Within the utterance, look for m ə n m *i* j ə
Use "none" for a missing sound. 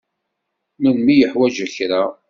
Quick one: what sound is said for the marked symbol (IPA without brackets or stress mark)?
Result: i